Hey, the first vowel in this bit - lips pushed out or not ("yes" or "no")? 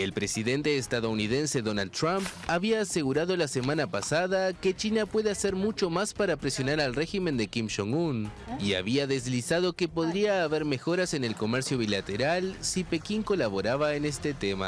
no